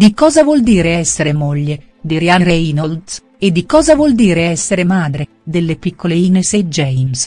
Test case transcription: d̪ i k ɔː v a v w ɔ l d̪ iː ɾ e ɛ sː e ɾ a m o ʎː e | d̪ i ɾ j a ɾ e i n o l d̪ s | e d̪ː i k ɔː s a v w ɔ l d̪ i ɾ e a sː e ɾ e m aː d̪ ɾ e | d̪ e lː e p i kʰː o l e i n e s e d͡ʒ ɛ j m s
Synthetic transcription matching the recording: d̪ i k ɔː z a v w ɔ l d̪ iː ɾ e ɛ sː e ɾ e m o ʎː e | d̪ i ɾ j a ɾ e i n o l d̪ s | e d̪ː i k ɔː z a v w ɔ l d̪ iː ɾ e ɛ sː e ɾ e m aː d̪ ɾ e | d̪ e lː e p i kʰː o l e i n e s e d͡ʒ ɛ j m s